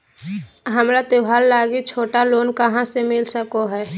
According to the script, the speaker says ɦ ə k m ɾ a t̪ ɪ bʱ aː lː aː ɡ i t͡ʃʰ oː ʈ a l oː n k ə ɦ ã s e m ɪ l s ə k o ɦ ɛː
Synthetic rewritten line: ɦ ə m ɾ a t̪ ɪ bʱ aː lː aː ɡ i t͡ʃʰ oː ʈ a l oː n k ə ɦ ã s e m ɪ l s ə k o ɦ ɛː